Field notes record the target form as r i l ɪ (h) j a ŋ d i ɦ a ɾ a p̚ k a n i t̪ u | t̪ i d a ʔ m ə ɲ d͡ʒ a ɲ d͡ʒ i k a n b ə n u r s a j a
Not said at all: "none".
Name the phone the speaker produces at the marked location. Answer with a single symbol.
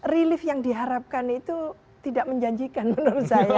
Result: f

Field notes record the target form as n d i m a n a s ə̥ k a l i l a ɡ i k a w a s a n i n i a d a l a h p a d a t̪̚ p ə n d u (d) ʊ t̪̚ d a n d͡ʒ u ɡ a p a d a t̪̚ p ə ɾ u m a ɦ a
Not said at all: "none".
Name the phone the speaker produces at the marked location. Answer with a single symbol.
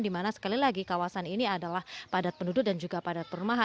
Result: d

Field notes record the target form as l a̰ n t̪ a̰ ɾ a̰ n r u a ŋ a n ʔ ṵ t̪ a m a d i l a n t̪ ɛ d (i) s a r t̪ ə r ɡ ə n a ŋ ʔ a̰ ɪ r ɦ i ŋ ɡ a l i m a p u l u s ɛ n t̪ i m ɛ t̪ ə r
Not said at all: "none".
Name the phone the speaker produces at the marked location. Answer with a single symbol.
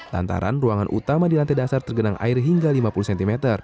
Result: a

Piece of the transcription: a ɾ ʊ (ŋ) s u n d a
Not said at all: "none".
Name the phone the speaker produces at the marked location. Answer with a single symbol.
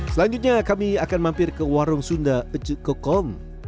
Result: ŋ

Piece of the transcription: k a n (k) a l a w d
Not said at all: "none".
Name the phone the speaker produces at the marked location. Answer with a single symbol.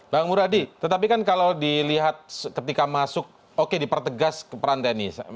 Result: k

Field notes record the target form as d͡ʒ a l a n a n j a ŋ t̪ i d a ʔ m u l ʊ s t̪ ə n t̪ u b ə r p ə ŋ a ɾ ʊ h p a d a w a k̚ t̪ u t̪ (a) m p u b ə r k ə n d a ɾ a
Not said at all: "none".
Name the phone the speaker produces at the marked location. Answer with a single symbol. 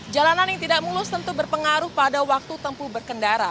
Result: ə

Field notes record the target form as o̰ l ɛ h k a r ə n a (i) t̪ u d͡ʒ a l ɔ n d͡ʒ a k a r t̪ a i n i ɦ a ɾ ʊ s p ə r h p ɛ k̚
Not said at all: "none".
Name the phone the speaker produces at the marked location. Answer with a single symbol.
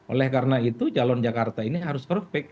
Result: i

